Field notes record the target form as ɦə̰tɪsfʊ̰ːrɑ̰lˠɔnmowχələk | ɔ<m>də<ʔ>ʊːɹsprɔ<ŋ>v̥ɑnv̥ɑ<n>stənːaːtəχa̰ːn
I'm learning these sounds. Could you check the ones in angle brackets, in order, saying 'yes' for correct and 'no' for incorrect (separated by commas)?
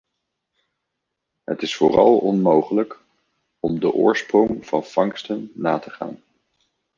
yes, yes, yes, no